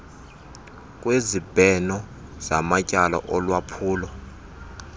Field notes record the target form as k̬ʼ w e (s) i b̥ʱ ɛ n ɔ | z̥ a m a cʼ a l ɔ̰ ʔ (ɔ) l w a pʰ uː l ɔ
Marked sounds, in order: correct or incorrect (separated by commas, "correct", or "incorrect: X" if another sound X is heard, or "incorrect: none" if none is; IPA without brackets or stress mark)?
incorrect: z, correct